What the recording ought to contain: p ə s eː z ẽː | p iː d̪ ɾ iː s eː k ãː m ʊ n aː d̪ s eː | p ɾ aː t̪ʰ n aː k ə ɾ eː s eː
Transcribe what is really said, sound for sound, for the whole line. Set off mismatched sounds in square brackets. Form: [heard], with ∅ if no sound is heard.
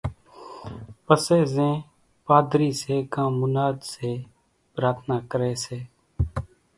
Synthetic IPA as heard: p ə s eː z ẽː | p [aː] d̪ ɾ iː s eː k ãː m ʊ n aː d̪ s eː | p ɾ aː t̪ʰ n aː k ə ɾ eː s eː